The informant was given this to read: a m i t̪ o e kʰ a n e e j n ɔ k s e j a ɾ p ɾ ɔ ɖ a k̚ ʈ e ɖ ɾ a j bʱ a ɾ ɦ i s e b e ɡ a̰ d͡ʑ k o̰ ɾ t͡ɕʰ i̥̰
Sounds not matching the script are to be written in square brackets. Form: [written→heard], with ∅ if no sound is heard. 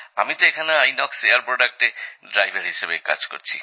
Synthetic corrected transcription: a m i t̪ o e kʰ a n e [e→a] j n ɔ k s e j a ɾ p ɾ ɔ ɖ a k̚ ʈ e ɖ ɾ a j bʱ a ɾ ɦ i [s→ʃ] e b e [ɡ→k] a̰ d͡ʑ k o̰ ɾ t͡ɕʰ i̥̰

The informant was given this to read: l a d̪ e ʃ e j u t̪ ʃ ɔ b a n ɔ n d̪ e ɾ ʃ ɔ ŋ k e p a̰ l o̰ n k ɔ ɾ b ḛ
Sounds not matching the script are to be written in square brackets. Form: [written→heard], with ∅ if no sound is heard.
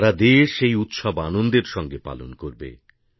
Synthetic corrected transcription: [l→ɾ] a d̪ e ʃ e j u t̪ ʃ ɔ b a n [ɔ→o] n d̪ e ɾ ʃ ɔ ŋ [k→ɡ] e p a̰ l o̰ n k [ɔ→o] ɾ b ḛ

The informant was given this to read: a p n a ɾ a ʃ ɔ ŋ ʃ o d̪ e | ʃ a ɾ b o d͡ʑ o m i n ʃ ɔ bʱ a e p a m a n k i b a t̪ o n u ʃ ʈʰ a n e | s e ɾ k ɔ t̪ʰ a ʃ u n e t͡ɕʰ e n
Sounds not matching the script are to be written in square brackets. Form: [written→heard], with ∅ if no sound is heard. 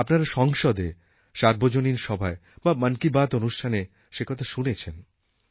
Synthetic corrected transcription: a p n a ɾ a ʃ ɔ ŋ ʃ o d̪ e | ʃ a ɾ b o d͡ʑ o [m→n] i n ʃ ɔ bʱ a e [p→b] a m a n k i b a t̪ o n u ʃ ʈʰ a n e | [s→ʃ] e [ɾ→∅] k ɔ t̪ʰ a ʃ u n e t͡ɕʰ e n

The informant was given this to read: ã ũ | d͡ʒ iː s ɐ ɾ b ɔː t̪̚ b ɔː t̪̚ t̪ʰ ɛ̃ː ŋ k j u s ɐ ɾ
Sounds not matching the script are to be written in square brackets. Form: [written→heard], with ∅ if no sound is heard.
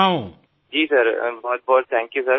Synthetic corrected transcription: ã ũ | d͡ʒ iː s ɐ ɾ b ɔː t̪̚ b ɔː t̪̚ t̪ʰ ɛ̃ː ŋ k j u s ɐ ɾ

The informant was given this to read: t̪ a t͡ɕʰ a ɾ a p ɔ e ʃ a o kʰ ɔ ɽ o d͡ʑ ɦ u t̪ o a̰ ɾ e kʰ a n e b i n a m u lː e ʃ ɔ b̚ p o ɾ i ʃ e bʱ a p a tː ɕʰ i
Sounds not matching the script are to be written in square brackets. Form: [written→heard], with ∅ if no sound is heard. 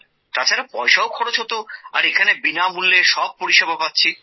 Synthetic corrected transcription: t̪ a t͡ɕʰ a ɾ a p ɔ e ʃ a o kʰ ɔ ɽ o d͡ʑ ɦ [u→o] t̪ o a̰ ɾ e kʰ a n e b i n a m u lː e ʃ ɔ b̚ p o ɾ i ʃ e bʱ a p a tː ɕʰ i

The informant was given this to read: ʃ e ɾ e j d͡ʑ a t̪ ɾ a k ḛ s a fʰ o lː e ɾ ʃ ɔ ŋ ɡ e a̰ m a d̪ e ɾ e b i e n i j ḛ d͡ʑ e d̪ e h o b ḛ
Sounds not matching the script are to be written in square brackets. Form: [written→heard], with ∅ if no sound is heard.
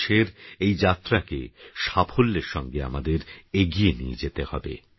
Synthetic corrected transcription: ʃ e ɾ e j d͡ʑ a t̪ ɾ a k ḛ [s→ʃ] a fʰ o lː e ɾ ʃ ɔ ŋ ɡ e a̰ m a d̪ e ɾ e [b→ɡ] i e n i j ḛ d͡ʑ e [d̪→t̪] e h [o→ɔ] b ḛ

